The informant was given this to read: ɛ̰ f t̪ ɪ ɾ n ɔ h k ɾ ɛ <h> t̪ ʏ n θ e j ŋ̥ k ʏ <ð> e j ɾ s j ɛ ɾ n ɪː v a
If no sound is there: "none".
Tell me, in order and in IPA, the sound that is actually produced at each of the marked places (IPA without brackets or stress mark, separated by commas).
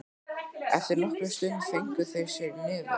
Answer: s, θ